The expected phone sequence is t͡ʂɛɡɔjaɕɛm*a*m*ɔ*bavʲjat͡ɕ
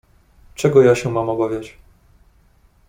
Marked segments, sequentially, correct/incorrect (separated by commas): correct, correct